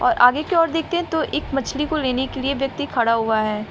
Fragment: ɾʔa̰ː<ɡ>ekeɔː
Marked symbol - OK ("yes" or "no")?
yes